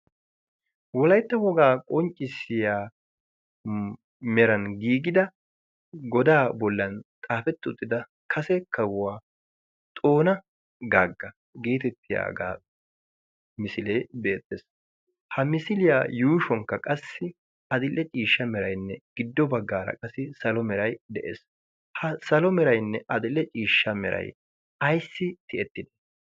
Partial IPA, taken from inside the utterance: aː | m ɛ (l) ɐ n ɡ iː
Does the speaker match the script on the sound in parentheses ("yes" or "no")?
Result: no